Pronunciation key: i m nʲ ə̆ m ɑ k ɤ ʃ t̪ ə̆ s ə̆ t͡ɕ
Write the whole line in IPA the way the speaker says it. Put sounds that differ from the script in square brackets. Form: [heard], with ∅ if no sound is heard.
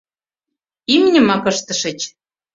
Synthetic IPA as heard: i m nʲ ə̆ m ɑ k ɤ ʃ t̪ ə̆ [ʃ] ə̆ t͡ɕ